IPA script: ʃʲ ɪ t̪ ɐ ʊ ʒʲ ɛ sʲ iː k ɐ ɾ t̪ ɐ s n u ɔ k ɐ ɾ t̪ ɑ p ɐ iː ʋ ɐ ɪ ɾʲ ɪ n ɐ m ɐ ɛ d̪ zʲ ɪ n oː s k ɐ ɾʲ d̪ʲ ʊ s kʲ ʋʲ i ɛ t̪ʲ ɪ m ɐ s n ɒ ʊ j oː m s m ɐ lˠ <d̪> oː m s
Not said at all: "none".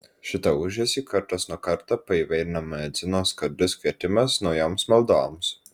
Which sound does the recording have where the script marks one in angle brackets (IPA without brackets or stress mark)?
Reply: d̪